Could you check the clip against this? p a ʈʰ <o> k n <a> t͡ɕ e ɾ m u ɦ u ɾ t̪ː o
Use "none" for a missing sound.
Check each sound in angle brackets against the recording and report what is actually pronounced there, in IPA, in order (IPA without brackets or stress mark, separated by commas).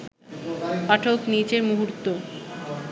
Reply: o, i